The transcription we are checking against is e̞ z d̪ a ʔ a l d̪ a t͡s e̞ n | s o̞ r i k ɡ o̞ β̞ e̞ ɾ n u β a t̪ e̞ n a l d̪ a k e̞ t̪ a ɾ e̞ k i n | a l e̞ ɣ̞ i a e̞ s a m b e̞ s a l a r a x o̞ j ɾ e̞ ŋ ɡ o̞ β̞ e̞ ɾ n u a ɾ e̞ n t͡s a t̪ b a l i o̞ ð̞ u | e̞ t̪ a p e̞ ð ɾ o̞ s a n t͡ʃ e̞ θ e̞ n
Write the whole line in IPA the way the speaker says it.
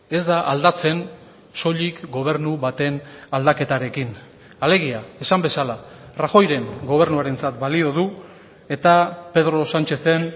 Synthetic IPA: e̞ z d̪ a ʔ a l d̪ a t͡s e̞ n | s o̞ ʎ i k ɡ o̞ β̞ e̞ ɾ n u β a t̪ e̞ n a l d̪ a k e̞ t̪ a ɾ e̞ k i n | a l e̞ ɣ̞ i a e̞ s a m b e̞ s a l a r a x o̞ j ɾ e̞ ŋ ɡ o̞ β̞ e̞ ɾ n u a ɾ e̞ n t͡s a t̪ b a l i o̞ ð̞ u | e̞ t̪ a p e̞ ð ɾ o̞ s a n t͡ʃ e̞ θ e̞ n